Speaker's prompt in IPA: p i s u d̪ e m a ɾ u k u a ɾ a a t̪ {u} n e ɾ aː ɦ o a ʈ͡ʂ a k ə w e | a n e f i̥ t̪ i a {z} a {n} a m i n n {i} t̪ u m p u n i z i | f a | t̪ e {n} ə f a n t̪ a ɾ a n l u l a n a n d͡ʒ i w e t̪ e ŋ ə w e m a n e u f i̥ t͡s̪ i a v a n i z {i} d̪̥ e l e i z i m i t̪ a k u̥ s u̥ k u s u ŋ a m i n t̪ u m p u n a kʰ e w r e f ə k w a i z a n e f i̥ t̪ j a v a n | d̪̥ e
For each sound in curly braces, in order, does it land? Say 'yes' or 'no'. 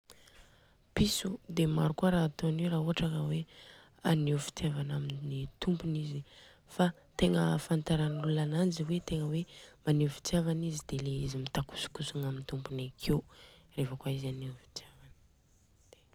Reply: no, no, yes, yes, no, yes

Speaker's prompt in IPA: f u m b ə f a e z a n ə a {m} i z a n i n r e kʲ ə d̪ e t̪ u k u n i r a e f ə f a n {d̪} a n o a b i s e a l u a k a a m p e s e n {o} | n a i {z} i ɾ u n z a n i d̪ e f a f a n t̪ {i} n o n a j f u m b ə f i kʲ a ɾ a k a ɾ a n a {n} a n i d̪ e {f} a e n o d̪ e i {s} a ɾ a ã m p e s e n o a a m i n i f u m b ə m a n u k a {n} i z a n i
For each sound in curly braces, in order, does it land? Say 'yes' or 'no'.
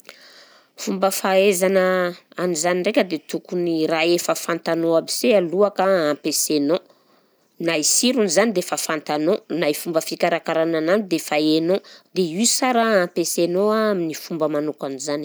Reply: no, no, yes, no, no, yes, yes, yes, yes

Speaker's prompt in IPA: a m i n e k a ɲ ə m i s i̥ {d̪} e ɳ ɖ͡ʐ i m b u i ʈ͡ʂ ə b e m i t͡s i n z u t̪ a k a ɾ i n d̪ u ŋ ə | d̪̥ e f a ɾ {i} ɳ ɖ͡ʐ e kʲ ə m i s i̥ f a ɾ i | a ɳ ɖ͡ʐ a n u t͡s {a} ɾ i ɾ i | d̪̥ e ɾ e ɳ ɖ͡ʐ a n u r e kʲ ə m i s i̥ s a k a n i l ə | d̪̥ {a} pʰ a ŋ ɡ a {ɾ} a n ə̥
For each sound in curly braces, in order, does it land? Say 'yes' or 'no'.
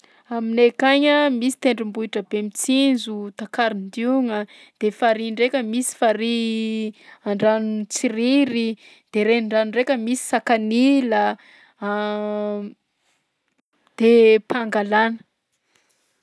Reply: no, yes, no, no, no

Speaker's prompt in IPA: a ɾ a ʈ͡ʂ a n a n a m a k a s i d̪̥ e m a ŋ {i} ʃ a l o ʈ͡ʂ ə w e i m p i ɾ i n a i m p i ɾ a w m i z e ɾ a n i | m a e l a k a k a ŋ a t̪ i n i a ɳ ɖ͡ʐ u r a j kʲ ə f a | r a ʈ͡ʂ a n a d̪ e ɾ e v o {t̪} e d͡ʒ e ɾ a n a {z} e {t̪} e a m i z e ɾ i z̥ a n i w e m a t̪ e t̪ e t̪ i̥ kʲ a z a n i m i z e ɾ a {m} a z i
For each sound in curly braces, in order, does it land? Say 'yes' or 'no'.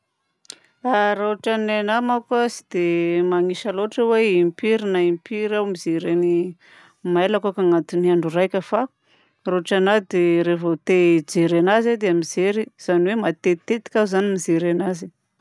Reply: yes, yes, yes, no, no

